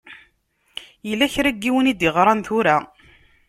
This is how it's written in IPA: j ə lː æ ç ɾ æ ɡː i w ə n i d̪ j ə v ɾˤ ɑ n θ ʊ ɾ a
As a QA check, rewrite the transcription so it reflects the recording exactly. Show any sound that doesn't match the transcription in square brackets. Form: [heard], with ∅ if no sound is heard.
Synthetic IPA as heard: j ə lː æ ç ɾ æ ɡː i w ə n i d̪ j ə [ʁ] ɾˤ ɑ n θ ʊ ɾ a